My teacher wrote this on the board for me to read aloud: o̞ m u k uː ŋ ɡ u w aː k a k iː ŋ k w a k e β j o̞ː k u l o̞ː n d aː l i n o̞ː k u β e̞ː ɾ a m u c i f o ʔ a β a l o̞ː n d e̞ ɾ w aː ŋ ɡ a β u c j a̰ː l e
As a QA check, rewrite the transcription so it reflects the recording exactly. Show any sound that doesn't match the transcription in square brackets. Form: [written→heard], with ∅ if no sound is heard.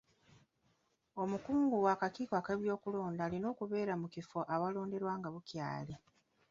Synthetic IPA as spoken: o̞ m u k uː ŋ ɡ u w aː k a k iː [ŋ→∅] k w a k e β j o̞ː k u l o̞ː n d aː l i n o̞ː k u β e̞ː ɾ a m u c i f o ʔ a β a l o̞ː n d e̞ ɾ w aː ŋ ɡ a β u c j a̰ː l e